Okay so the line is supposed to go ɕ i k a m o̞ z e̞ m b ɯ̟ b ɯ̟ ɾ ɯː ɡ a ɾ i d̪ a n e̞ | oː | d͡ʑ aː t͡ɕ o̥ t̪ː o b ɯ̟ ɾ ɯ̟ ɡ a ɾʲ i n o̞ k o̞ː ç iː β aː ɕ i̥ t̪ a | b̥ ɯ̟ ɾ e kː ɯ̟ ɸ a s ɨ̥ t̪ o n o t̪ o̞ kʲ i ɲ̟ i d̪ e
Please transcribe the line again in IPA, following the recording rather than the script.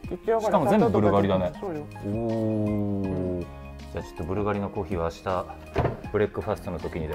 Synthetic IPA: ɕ i k a m o̞ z e̞ m b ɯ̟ b ɯ̟ ɾ ɯ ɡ a ɾ i d̪ a n e̞ | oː | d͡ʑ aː t͡ɕ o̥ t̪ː o b ɯ̟ ɾ ɯ̟ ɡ a ɾʲ i n o̞ k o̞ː ç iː β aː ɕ i̥ t̪ a | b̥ ɯ̟ ɾ e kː ɯ̟ ɸ a s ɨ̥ t̪ o n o t̪ o̞ kʲ i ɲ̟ i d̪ e